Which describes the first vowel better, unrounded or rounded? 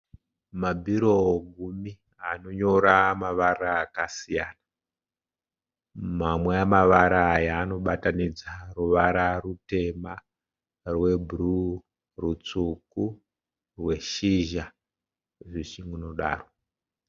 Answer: unrounded